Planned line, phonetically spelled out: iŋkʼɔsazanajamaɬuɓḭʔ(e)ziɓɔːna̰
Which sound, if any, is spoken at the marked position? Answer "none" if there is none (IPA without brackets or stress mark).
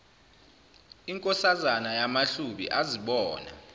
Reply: a